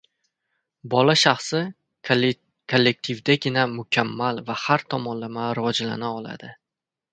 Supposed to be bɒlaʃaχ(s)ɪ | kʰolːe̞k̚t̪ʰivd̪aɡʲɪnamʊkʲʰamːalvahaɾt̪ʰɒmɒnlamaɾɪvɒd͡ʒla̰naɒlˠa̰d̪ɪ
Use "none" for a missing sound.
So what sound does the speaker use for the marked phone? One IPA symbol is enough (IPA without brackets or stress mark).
s